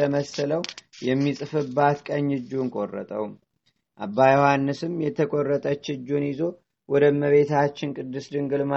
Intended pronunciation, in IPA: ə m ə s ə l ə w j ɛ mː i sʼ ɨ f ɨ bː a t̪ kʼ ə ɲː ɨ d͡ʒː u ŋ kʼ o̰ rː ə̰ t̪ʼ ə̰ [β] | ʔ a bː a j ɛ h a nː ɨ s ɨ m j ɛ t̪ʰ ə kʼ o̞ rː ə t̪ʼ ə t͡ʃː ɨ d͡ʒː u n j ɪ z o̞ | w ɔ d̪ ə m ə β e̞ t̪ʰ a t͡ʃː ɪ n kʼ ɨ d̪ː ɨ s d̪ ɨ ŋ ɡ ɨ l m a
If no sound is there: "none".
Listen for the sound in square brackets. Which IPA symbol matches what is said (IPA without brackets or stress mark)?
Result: w